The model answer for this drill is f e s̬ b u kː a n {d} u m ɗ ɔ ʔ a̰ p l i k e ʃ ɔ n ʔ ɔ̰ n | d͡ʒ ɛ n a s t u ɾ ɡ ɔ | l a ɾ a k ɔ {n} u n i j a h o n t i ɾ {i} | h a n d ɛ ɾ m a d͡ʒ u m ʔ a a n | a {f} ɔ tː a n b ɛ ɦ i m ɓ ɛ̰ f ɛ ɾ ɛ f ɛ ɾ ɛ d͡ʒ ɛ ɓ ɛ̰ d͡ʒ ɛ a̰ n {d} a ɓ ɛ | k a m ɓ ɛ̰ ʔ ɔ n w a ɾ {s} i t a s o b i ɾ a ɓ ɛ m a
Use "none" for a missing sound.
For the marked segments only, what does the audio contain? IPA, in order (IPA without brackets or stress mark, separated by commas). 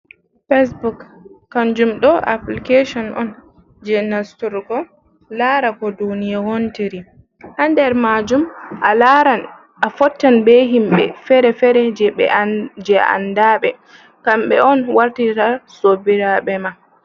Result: d͡ʒ, d, i, f, d, t